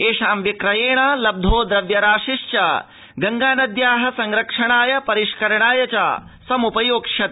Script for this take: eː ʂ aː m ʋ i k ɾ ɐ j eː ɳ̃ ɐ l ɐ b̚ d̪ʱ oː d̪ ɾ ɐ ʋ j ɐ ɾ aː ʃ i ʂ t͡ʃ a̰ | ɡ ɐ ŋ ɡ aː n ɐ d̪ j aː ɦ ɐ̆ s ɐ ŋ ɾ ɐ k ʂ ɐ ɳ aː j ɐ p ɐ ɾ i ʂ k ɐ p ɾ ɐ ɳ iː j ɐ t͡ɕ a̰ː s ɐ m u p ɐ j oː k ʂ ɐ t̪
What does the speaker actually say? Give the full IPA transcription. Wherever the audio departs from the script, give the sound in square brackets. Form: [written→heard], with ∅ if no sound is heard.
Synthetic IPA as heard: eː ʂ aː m ʋ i k ɾ ɐ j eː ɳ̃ ɐ l ɐ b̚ d̪ʱ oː d̪ ɾ ɐ ʋ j ɐ ɾ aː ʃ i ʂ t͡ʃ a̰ | ɡ ɐ ŋ ɡ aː n ɐ d̪ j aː ɦ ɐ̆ s ɐ ŋ ɾ ɐ k ʂ ɐ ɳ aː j ɐ p ɐ ɾ i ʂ k ɐ [p→∅] ɾ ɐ ɳ [iː→aː] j ɐ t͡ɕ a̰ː s ɐ m u p ɐ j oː k ʂ ɐ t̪